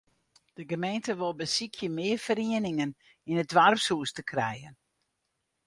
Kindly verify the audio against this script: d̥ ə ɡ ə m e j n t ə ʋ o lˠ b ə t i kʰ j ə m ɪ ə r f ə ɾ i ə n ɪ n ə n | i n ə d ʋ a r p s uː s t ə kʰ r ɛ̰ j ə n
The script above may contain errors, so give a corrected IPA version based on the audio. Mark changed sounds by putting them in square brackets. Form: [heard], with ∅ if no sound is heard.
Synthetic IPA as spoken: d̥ ə ɡ ə m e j n t ə ʋ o lˠ b ə [s] i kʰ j ə m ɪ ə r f ə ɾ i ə n ɪ [ŋ] ə n | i n ə d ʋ a r p s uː s t ə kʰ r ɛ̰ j ə n